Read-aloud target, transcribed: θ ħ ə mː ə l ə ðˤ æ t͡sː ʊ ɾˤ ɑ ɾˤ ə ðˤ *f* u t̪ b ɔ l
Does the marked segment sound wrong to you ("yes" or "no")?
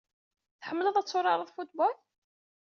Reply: no